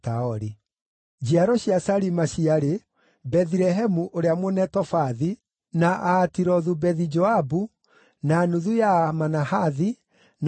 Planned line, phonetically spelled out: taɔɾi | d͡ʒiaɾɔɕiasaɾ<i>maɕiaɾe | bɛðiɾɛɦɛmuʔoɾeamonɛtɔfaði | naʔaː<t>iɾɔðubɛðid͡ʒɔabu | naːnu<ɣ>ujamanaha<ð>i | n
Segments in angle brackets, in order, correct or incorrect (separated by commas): correct, correct, incorrect, correct